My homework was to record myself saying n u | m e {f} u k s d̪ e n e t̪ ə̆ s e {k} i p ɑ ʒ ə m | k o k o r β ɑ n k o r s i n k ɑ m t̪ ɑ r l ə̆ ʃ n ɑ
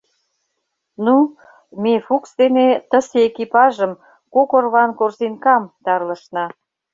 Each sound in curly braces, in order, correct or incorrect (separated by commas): correct, correct